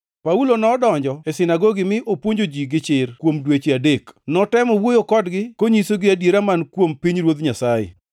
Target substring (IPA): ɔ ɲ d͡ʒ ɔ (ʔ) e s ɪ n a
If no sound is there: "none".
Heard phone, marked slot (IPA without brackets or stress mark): none